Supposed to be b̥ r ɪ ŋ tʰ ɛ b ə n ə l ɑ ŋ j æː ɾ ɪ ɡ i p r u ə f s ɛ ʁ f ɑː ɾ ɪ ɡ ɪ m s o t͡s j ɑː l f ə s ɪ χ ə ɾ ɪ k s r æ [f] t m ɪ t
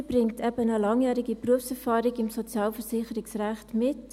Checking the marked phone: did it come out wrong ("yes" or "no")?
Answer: yes